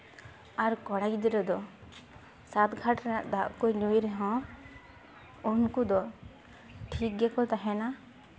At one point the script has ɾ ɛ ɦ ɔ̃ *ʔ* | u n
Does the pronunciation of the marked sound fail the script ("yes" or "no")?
yes